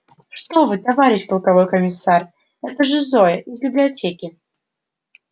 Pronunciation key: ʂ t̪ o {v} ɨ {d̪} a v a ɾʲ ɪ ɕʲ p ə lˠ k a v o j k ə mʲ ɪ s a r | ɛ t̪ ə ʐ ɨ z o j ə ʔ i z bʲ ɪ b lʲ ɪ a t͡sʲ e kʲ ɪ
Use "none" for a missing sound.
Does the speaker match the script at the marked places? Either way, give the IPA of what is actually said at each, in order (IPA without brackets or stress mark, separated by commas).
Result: v, t̪